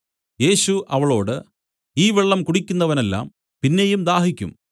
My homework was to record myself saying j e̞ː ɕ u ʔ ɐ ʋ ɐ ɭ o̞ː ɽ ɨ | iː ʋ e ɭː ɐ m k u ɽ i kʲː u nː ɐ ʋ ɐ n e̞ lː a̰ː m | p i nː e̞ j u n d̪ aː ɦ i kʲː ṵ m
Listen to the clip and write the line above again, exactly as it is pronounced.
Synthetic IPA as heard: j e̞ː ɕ u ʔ ɐ ʋ ɐ ɭ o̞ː ɽ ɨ | iː ʋ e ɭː ɐ m k u ɽ i kʲː u nː ɐ ʋ ɐ n e̞ lː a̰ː m | p i nː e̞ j u m d̪ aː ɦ i kʲː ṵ m

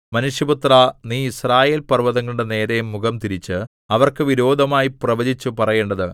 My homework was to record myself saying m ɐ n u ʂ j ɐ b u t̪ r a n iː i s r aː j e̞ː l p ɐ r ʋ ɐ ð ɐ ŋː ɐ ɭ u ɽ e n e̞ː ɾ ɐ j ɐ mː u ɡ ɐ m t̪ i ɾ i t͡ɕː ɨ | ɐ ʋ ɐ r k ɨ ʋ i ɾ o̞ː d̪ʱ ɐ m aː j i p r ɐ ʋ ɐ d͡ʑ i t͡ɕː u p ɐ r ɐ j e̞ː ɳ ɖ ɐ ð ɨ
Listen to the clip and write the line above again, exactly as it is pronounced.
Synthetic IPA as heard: m ɐ n u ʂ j ɐ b u t̪ r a n iː i s r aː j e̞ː l p ɐ r ʋ ɐ ð ɐ ŋː ɐ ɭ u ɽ e n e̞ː ɾ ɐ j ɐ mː u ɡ ɐ m t̪ i ɾ i t͡ɕː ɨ | ɐ ʋ ɐ r k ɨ ʋ i ɾ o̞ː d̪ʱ ɐ m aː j i p r ɐ ʋ ɐ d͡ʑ i t͡ɕː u p ɐ r ɐ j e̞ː ɳ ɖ ɐ ð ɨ

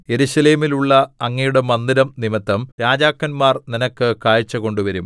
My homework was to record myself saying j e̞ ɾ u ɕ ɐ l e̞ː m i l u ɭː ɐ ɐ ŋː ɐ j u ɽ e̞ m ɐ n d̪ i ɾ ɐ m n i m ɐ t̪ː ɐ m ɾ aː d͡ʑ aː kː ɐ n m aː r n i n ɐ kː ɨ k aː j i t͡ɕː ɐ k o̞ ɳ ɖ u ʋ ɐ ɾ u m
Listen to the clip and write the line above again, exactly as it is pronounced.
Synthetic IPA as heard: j e̞ ɾ u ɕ ɐ l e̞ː m i l u ɭː ɐ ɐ ŋː ɐ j u ɽ e̞ m ɐ n d̪ i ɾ ɐ m n i m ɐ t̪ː ɐ m ɾ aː d͡ʑ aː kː ɐ n m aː r n i n ɐ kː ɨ k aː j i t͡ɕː ɐ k o̞ ɳ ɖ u ʋ ɐ ɾ u m

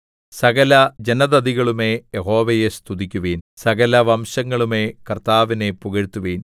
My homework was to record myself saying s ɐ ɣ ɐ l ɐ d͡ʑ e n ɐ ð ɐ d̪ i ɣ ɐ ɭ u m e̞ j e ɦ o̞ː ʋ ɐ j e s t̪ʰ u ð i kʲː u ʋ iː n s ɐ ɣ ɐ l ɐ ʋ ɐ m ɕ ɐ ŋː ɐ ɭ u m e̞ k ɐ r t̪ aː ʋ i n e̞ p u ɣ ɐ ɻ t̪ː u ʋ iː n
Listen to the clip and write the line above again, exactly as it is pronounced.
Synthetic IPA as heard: s ɐ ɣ ɐ l ɐ d͡ʑ e n ɐ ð ɐ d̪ i ɣ ɐ ɭ u m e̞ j e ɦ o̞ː ʋ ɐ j e s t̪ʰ u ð i kʲː u ʋ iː n s ɐ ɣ ɐ l ɐ ʋ ɐ m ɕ ɐ ŋː ɐ ɭ u m e̞ k ɐ r t̪ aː ʋ i n e̞ p u ɣ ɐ ɻ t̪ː u ʋ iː n

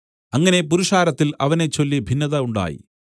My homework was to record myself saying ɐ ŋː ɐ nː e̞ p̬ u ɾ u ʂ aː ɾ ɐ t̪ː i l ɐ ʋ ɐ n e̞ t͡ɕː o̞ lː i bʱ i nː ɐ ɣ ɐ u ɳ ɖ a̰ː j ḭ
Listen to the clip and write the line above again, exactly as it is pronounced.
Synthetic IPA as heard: ɐ ŋː ɐ n e̞ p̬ u ɾ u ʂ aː ɾ ɐ t̪ː i l ɐ ʋ ɐ n e̞ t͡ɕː o̞ lː i bʱ i nː ɐ ð ɐ u ɳ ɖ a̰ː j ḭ

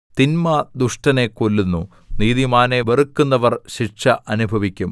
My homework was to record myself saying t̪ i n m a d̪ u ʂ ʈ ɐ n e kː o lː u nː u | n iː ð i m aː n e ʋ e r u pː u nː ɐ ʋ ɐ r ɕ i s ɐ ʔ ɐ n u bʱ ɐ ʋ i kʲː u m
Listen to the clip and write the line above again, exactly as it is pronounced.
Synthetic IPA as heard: t̪ i n m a d̪ u ʂ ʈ ɐ n e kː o lː u nː u | n iː ð i m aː n e ʋ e r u kː u nː ɐ ʋ ɐ r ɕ i ʂ ɐ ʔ ɐ n u bʱ ɐ ʋ i kʲː u m

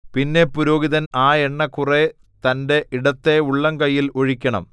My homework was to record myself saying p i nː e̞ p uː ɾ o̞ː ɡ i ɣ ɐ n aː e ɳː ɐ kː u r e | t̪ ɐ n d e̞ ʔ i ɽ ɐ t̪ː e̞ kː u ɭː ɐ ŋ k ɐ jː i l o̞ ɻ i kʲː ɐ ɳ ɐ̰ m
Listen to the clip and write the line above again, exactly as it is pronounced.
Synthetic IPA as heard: p i nː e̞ p u ɾ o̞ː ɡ i ð ɐ n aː e ɳː ɐ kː u r e | t̪ ɐ n d e̞ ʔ i ɽ ɐ t̪ː e̞ u ɭː ɐ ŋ k ɐ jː i l o̞ ɻ i kʲː ɐ ɳ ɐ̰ m

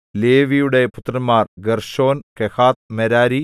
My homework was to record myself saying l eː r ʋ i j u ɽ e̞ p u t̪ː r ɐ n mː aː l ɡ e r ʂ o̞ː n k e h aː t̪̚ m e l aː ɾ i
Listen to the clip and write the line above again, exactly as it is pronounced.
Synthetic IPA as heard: l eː ʋ i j u ɽ e̞ p u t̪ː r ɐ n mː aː r ɡ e r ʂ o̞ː n k e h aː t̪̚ m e ɾ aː ɾ i

